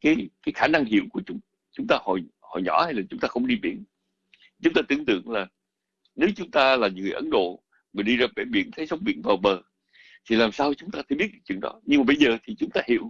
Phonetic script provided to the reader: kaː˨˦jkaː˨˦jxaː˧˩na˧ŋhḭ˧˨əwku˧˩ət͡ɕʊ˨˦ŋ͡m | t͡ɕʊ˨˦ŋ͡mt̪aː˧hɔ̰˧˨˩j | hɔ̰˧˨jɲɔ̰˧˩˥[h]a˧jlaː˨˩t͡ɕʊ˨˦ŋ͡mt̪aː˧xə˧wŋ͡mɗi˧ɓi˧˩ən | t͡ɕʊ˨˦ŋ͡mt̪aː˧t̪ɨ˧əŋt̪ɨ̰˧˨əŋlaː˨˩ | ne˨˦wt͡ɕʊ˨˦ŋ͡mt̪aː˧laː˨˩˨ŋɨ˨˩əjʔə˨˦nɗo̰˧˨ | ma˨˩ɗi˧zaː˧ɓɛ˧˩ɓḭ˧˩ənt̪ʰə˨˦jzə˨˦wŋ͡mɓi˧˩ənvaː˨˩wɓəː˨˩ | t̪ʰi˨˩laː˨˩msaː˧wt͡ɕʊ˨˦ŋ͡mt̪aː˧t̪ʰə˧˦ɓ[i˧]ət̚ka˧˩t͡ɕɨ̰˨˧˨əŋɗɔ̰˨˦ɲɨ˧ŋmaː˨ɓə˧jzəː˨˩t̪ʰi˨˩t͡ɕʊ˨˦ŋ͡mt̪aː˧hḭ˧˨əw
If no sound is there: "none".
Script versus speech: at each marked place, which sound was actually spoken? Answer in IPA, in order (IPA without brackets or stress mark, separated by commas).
h, i˦˥